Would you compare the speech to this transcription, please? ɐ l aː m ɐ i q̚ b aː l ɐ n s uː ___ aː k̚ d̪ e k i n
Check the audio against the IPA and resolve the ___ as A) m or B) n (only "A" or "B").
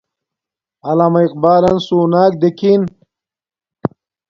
B